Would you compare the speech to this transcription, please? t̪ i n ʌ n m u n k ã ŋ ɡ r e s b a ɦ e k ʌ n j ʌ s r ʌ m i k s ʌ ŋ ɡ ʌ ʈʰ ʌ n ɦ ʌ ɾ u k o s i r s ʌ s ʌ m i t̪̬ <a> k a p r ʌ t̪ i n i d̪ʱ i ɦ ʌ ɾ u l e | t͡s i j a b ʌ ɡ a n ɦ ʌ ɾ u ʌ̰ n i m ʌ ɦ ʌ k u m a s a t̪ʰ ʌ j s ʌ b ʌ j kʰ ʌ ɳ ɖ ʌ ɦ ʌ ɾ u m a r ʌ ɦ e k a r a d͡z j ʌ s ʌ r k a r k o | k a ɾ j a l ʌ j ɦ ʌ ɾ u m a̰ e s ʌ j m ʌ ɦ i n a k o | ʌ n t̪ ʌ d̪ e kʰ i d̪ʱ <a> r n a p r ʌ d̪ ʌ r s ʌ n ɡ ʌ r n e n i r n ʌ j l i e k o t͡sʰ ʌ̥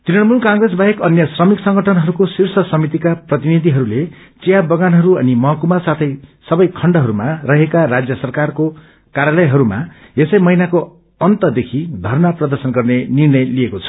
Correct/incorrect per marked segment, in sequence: incorrect: i, incorrect: ʌ

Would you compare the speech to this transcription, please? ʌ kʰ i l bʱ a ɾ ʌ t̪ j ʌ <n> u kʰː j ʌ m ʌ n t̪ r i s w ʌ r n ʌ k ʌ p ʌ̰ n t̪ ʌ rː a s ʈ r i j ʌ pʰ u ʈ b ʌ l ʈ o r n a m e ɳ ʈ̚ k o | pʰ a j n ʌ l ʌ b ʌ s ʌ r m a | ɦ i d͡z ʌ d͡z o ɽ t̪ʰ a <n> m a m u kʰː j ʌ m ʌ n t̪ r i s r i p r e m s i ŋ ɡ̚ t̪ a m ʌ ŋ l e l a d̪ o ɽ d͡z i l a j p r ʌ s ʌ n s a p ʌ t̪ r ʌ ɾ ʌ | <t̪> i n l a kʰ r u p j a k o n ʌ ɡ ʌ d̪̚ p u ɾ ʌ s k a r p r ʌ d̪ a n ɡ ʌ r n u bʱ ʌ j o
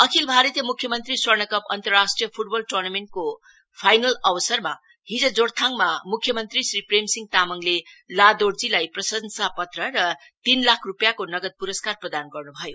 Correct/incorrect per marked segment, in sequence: incorrect: m, incorrect: ŋ, correct

